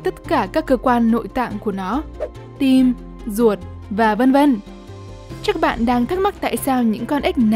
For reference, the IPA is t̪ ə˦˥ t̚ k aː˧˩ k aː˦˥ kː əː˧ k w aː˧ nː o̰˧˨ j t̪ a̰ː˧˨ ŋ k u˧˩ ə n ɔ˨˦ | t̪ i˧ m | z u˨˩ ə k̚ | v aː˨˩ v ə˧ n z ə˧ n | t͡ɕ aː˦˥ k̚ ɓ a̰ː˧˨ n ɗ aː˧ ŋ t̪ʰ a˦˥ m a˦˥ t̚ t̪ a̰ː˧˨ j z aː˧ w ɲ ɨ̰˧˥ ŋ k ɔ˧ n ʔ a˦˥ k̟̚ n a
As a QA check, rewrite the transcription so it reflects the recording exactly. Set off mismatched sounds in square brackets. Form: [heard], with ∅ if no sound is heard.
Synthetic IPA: t̪ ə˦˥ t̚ k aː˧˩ k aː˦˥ kː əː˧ k w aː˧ nː o̰˧˨ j t̪ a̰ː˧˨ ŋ k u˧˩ ə n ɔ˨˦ | t̪ i˧ m | z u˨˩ ə [t̚] | v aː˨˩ v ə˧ n [v] ə˧ n | t͡ɕ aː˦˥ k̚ ɓ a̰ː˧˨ n ɗ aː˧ ŋ t̪ʰ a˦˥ m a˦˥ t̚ t̪ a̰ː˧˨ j [s] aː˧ w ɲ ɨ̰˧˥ ŋ k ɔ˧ n ʔ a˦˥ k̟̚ n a